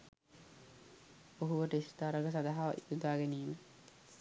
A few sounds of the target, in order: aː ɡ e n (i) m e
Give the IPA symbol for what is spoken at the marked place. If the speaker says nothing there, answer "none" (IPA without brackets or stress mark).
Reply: iː